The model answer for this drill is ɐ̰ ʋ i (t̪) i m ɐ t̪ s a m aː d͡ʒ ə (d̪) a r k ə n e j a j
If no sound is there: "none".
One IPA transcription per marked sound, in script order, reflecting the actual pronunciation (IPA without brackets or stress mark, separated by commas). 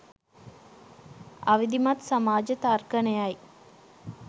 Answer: d̪, t̪